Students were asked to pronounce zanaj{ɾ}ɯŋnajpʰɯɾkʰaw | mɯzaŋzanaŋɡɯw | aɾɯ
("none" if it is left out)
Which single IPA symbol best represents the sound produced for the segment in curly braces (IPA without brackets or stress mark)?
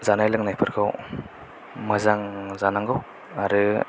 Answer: l